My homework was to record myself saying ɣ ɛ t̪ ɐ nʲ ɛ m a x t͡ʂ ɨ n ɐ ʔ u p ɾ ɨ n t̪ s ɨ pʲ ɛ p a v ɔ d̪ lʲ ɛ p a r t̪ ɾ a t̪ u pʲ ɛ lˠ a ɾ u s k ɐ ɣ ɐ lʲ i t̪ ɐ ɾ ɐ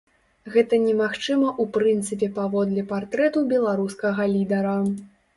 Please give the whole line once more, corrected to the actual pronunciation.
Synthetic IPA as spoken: ɣ ɛ t̪ ɐ nʲ ɛ m a x t͡ʂ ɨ m ɐ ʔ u p ɾ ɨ n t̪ s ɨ pʲ ɛ p a v ɔ d̪ lʲ ɛ p a r t̪ ɾ ɛ t̪ u bʲ ɛ lˠ a ɾ u s k ɐ ɣ ɐ lʲ i d̪ ɐ ɾ ɐ